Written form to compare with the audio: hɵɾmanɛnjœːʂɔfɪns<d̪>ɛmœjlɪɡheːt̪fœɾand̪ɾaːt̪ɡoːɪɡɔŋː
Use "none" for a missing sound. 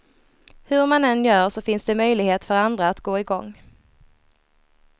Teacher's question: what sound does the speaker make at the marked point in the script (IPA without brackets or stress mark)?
d̪